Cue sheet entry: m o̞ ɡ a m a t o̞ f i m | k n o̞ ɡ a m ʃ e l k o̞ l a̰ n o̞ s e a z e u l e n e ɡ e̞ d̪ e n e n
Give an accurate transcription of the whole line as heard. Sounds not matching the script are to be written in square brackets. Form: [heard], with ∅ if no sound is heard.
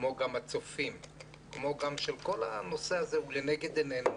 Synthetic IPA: m o̞ ɡ a m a [t͡s] o̞ f i m | k [m] o̞ ɡ a m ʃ e l k o̞ l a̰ n o̞ s e a z e u l e n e ɡ e̞ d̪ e n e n

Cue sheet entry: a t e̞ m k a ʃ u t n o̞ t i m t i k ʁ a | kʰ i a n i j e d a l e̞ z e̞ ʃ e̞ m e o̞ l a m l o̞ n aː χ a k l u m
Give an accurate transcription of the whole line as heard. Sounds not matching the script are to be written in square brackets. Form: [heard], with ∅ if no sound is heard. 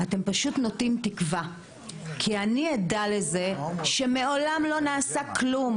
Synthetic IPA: a t e̞ m [p] a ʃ u t n o̞ t i m t i k [v] a | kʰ i a n i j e d a l e̞ z e̞ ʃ e̞ m e o̞ l a m l o̞ n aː [s] a k l u m

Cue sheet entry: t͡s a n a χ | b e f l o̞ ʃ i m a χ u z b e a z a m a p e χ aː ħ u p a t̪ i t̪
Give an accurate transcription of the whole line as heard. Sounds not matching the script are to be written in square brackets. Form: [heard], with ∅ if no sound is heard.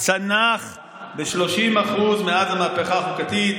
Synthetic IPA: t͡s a n a χ | b e [ʃ] l o̞ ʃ i m a χ u z [m] e a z a m a p e χ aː [χ] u [k] a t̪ i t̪

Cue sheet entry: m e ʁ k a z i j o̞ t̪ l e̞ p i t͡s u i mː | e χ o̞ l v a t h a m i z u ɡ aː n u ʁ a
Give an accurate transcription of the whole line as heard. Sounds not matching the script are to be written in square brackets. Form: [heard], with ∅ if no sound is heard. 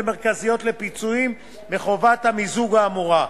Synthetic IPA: m e ʁ k a z i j o̞ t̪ l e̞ p i t͡s u i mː | e χ o̞ [∅] v a t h a m i z u ɡ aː [m] u ʁ a

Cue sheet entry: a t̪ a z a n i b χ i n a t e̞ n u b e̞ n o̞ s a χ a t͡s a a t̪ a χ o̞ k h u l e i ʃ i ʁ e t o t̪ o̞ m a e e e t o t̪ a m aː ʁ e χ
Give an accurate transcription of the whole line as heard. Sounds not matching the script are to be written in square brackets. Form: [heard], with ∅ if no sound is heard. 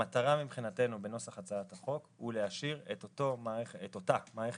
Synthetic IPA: a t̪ a [ʁ] a [m] i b χ i n a t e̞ n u b e̞ n o̞ s a χ a t͡s a a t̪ a χ o̞ k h u l e [a] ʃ i ʁ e t o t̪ o̞ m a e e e t o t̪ a m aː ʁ e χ

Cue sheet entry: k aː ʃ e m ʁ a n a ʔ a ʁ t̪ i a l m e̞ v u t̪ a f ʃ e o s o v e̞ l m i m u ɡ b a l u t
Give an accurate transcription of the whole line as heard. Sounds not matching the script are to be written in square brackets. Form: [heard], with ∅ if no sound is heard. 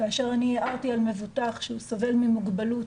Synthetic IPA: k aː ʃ e [∅] ʁ a n [i] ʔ a ʁ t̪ i a l m e̞ v u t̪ a [χ] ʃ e [u] s o v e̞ l m i m u ɡ b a l u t

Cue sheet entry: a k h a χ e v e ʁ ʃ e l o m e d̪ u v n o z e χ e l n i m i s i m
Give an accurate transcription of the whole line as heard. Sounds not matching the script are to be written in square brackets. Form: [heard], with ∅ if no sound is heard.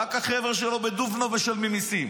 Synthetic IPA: a k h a χ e v e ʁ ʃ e l o [b] e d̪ u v n o [v] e [ʃ] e l [m] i m i s i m

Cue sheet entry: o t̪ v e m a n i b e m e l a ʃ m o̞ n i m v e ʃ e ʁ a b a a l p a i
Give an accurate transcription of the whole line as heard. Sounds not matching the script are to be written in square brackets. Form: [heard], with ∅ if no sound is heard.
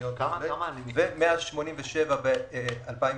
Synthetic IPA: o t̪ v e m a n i [v] e m e [∅] a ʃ m o̞ n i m v e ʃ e [v] a b [e] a l p a i

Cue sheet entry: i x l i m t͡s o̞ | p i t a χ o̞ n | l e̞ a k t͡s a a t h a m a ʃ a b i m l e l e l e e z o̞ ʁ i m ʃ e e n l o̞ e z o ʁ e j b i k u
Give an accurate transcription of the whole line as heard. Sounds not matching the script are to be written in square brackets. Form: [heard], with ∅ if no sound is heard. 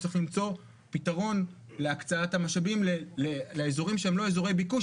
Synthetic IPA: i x l i m t͡s o̞ | p i t a [ʁ] o̞ n | l e̞ a k t͡s a a t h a m a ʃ a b i m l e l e l e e z o̞ ʁ i m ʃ e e [m] l o̞ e z o ʁ e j b i k u

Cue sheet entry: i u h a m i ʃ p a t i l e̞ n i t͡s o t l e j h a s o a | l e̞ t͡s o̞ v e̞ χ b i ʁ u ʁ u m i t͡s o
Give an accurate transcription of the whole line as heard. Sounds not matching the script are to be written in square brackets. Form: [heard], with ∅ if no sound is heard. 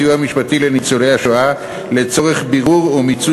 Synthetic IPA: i u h a m i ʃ p a t i l e̞ n i t͡s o [∅] l e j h a [ʃ] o a | l e̞ t͡s o̞ [ʁ] e̞ χ b i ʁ u ʁ u m i t͡s [u]

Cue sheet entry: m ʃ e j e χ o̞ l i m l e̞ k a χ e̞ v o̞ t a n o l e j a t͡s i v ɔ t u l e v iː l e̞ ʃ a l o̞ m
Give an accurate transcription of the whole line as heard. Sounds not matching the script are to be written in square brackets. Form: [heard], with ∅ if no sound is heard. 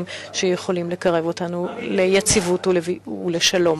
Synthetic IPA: m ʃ e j e χ o̞ l i m l e̞ k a [ʁ] e̞ v o̞ t a n [u] l e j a t͡s i v [u] t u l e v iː l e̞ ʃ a l o̞ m

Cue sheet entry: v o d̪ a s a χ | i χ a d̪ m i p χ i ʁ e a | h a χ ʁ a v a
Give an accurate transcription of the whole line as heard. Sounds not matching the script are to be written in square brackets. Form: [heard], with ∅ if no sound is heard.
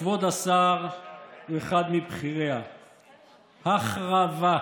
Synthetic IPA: v o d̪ a s a [ʁ] | [e] χ a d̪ m i [b] χ i ʁ e a | h a χ ʁ a v a

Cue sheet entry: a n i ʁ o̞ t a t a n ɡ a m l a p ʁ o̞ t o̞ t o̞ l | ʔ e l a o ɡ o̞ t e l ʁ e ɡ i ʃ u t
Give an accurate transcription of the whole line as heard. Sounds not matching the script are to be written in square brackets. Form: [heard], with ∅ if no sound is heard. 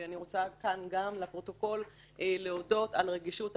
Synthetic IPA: a n i ʁ o̞ [t͡s] a [k] a n ɡ a m l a p ʁ o̞ t o̞ [k] o̞ l | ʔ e l [e] o [d] o̞ t [a] l ʁ e ɡ i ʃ u t

